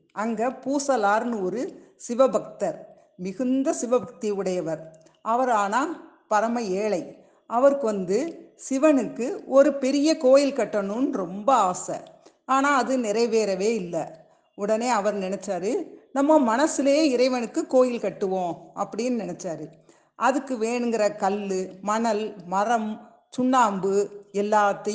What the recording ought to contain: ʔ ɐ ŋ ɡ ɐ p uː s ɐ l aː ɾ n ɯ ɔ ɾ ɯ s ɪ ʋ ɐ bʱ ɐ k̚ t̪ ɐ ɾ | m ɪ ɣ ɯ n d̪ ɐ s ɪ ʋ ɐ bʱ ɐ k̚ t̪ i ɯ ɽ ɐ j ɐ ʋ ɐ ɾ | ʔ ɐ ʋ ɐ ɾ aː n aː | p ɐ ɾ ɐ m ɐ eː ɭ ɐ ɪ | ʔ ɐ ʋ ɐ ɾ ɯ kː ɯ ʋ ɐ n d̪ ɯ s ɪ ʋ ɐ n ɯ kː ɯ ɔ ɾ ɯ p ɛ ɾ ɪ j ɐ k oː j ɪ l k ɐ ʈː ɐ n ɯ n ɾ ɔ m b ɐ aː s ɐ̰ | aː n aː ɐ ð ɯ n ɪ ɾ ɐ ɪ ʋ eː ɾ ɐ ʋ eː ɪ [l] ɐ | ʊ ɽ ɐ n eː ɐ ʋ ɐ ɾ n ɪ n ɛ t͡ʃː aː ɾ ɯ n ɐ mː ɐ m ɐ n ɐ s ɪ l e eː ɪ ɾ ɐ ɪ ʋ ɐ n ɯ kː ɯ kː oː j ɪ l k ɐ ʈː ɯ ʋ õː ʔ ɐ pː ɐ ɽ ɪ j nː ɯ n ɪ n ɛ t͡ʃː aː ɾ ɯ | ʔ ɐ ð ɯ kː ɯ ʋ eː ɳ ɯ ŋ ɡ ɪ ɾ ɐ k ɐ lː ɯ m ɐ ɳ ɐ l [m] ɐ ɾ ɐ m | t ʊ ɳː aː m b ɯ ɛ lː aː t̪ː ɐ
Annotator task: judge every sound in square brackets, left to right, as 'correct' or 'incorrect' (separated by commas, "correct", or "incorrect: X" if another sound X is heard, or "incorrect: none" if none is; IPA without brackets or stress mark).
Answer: incorrect: lː, correct